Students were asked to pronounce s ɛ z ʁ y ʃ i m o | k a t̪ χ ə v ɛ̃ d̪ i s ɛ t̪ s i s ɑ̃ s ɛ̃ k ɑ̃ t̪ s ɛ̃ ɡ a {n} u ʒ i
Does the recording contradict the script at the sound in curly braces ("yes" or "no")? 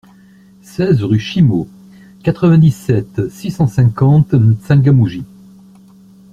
yes